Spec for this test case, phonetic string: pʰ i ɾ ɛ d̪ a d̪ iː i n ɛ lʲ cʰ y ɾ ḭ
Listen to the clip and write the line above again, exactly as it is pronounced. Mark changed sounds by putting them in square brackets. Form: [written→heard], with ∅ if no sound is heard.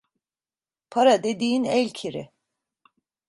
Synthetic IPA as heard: pʰ [i→a] ɾ [ɛ→a] d̪ [a→e] d̪ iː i n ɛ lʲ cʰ [y→i] ɾ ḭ